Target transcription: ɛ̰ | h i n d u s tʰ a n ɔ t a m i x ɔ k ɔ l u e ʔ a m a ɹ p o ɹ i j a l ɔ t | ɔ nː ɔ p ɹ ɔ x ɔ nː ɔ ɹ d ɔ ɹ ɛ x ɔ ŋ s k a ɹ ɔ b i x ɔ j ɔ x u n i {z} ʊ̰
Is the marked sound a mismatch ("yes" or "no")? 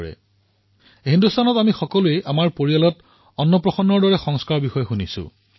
yes